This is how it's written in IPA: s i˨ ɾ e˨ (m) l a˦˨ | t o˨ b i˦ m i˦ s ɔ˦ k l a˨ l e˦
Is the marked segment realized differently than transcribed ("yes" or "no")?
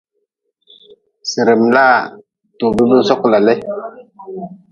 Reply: no